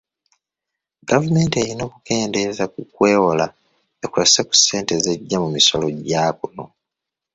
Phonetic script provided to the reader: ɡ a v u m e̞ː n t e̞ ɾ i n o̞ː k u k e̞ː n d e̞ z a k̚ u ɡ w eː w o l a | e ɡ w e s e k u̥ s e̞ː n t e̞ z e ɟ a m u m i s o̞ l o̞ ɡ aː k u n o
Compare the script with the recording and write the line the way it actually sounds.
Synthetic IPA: ɡ a v u m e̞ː n t e̞ ɾ i n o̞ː k u k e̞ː n d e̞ z a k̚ u k w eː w o l a | e k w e s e k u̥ s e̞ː n t e̞ z e ɟː a m u m i s o̞ l o̞ ɟ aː k u n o